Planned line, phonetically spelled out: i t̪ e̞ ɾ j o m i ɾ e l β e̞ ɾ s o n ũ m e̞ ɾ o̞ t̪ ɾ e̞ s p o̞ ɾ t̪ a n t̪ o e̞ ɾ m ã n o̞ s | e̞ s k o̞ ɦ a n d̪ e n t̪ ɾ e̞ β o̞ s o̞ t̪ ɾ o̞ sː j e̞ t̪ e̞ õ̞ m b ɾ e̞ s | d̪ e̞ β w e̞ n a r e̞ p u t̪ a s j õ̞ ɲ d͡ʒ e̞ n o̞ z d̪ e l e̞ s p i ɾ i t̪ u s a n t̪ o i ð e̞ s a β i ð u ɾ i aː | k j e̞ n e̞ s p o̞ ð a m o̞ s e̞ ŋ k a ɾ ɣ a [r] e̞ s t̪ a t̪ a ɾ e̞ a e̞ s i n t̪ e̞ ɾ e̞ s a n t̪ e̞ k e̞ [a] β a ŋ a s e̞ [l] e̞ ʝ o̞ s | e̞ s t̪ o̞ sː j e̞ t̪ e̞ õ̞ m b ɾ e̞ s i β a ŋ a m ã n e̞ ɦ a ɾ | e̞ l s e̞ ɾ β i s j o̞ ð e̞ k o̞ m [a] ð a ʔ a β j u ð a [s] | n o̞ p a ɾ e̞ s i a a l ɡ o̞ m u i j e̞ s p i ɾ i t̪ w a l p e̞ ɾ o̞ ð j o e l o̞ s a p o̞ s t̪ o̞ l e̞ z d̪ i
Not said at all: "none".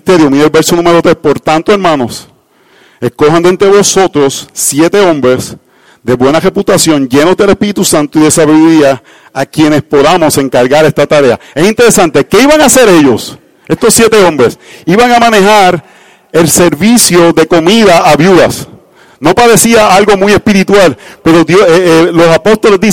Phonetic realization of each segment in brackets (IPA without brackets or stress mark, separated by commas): ɾ, i, ɾ, i, s